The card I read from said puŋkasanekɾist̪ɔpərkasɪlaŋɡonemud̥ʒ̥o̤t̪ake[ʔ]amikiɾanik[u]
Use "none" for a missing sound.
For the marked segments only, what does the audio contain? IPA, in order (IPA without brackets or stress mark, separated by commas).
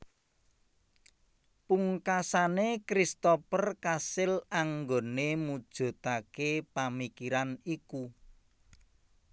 p, u